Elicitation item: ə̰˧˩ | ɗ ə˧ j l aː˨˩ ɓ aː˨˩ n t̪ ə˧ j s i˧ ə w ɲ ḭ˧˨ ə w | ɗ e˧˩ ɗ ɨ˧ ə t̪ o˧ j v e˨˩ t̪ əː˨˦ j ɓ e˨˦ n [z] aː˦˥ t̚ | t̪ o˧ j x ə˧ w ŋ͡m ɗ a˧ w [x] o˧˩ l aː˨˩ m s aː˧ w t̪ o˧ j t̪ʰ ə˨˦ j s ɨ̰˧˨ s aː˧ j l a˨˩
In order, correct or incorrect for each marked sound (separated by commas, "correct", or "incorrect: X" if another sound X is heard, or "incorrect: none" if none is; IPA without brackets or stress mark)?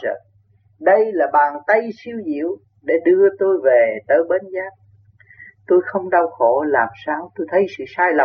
correct, correct